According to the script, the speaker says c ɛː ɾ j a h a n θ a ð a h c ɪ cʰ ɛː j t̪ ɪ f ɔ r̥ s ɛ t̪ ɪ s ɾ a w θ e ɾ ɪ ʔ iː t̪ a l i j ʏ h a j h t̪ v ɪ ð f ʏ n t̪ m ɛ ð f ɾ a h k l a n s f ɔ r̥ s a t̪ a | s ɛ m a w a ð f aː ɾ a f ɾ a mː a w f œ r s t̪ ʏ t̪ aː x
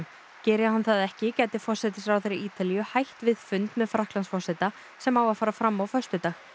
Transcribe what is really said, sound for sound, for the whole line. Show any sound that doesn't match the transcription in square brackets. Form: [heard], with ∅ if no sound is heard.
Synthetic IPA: c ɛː ɾ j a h a n θ a ð [ɛ] h c ɪ [c] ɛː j t̪ ɪ f ɔ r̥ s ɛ t̪ ɪ s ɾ a w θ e ɾ ɪ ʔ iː t̪ a l i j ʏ h a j h t̪ v ɪ ð f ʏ n t̪ m ɛ ð f ɾ a h k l a n s f ɔ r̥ s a t̪ a | s ɛ m a w a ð f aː ɾ a f ɾ a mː a w f œ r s t̪ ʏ t̪ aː x